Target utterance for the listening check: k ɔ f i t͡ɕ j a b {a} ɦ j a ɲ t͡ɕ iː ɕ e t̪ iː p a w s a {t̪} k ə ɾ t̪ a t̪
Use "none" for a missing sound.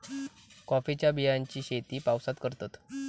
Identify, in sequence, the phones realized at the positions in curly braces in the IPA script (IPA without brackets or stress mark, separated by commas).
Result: i, t̪